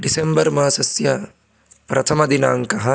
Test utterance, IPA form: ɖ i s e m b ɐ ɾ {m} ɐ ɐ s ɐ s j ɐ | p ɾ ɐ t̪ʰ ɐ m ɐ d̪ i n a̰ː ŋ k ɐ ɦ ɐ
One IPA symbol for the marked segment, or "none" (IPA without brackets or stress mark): m